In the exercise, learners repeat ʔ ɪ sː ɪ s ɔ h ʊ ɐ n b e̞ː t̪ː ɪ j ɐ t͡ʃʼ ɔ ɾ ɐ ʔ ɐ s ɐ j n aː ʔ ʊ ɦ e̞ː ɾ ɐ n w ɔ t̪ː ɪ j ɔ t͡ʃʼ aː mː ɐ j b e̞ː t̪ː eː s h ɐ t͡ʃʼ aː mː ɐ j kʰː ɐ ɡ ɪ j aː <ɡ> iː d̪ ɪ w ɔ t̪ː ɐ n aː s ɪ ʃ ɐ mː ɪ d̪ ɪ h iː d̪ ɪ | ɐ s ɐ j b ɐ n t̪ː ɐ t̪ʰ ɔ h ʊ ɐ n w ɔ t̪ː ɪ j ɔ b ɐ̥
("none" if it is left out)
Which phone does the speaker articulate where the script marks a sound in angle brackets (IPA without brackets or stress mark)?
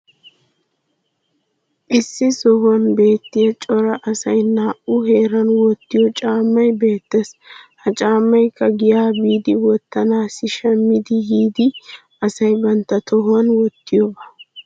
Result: b